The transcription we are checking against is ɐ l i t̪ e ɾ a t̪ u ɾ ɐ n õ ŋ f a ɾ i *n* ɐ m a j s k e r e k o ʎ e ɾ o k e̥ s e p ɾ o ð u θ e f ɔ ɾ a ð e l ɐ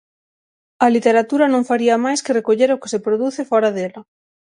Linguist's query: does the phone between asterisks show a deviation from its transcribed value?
yes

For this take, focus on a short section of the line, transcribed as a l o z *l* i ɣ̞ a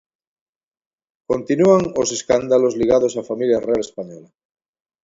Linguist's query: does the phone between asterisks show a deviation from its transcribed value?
no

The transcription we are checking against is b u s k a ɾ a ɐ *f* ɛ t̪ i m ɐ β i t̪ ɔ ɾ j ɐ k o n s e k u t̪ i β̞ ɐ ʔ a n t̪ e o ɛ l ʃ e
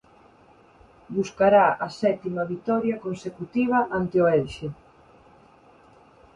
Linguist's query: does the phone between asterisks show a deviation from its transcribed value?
yes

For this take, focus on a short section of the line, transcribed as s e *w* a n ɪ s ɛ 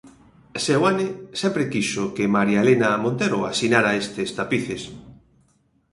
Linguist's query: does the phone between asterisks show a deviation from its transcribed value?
no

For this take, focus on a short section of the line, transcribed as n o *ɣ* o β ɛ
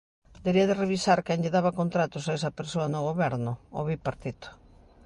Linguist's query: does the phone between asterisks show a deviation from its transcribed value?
no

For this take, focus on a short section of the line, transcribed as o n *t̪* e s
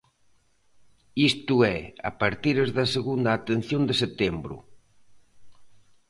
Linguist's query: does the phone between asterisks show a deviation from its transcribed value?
yes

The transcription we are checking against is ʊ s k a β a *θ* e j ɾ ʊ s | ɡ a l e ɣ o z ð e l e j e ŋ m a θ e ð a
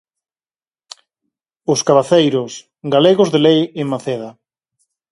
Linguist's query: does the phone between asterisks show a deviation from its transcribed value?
no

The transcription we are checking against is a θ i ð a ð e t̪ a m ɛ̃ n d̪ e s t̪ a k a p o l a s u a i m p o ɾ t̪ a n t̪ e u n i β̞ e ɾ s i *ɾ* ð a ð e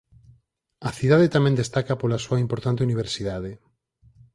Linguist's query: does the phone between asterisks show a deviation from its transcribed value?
yes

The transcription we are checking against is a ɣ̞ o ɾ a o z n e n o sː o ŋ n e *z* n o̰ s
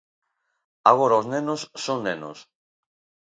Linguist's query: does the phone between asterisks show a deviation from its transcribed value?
yes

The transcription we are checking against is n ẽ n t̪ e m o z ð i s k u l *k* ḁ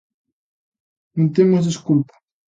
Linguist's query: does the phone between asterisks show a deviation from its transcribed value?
yes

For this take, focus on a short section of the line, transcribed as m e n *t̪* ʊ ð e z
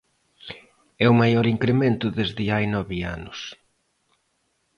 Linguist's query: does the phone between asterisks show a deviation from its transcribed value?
no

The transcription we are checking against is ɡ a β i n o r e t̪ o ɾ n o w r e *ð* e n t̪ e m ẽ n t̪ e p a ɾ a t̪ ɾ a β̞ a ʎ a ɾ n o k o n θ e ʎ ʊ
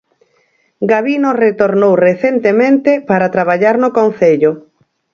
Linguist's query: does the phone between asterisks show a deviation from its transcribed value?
yes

